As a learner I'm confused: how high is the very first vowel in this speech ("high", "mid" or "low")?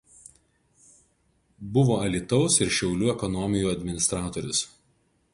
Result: high